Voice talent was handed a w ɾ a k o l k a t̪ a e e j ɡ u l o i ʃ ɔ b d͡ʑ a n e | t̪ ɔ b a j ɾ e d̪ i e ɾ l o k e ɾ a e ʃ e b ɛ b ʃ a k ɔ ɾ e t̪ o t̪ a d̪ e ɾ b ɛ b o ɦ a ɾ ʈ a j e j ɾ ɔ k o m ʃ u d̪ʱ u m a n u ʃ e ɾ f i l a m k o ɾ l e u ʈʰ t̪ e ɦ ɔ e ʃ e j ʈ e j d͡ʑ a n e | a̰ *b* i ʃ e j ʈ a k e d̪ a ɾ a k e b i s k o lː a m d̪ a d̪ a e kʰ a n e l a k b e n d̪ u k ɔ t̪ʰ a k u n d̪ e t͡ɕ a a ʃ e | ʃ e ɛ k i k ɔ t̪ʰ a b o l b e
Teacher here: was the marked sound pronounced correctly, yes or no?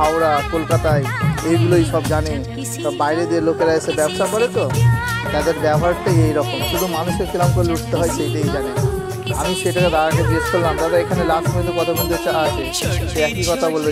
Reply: no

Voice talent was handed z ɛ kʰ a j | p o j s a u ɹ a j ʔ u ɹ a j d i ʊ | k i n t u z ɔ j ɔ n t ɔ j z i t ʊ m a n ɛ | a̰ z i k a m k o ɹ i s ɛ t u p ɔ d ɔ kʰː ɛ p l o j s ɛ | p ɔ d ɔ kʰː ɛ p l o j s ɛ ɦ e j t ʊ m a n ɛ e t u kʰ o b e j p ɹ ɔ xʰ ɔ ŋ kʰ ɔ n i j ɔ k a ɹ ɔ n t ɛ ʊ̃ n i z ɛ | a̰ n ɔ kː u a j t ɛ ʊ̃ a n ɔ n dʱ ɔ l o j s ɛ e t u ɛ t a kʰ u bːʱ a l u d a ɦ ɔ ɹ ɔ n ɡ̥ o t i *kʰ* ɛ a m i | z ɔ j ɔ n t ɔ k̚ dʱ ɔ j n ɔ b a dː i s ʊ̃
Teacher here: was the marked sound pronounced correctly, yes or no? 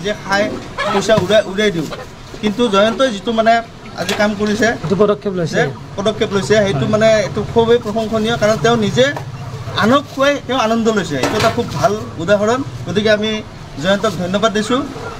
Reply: no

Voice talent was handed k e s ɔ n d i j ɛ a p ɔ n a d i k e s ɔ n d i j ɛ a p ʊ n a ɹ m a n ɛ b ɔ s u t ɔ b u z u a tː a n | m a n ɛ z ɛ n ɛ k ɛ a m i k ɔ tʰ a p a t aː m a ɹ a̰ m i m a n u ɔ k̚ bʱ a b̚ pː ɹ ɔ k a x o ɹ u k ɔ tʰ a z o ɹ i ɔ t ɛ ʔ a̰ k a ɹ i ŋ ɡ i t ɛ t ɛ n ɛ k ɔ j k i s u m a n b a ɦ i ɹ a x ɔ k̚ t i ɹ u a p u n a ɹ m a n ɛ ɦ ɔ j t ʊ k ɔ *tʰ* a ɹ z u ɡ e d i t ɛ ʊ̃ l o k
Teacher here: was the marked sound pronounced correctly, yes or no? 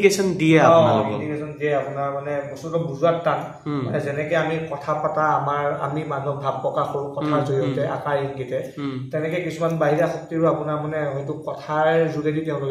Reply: yes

